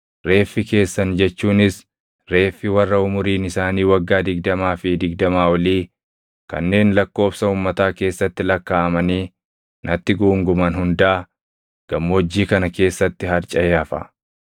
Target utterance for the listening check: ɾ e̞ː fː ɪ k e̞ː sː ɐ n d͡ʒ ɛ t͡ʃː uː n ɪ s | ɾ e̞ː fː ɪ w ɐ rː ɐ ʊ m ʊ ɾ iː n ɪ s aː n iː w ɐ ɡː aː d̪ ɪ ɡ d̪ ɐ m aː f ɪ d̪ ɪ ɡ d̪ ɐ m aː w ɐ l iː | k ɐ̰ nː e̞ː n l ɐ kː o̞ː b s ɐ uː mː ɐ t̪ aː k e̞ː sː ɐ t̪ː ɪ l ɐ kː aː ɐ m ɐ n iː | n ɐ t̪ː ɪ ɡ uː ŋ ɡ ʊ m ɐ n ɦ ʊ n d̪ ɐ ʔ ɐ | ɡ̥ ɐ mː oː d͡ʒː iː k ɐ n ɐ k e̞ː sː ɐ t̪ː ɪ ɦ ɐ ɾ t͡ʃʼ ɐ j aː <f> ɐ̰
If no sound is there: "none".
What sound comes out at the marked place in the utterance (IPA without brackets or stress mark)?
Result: f